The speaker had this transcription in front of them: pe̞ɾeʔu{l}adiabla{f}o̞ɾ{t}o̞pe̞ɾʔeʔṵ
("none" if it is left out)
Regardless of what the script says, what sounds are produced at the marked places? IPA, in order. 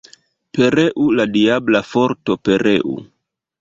l, f, t

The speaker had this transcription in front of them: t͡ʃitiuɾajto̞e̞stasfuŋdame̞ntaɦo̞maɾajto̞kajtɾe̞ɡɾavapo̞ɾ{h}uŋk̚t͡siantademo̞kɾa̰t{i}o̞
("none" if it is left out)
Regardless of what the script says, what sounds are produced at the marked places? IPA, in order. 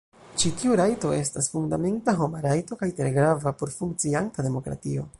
f, i

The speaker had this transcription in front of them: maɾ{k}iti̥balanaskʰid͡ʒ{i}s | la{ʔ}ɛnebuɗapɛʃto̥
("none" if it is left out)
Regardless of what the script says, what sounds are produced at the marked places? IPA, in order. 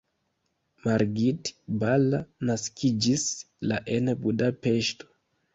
ɡ, i, ʔ

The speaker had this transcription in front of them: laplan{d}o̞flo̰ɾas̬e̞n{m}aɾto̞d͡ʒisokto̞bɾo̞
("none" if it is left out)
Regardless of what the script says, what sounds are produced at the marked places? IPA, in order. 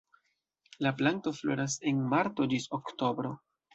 t, m

